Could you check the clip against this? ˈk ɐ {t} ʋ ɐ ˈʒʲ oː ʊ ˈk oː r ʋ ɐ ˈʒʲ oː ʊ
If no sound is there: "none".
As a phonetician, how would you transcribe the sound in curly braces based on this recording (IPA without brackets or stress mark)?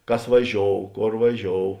s